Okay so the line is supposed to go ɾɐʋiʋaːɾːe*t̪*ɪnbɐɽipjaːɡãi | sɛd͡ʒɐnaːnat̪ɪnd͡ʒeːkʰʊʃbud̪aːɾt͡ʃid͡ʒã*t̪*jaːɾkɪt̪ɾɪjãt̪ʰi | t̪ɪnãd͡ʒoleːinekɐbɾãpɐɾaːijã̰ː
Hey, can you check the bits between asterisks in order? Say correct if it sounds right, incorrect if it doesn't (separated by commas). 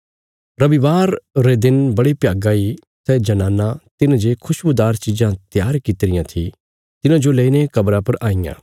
incorrect, correct